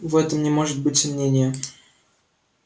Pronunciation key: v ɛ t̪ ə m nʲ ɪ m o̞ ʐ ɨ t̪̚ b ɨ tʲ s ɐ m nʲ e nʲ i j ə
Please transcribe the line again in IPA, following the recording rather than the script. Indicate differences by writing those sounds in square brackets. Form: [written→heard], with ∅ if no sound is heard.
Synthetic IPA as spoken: v ɛ t̪ ə m nʲ ɪ m o̞ ʐ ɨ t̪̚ b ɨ tʲ s ɐ m nʲ e nʲ [i→ɪ] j ə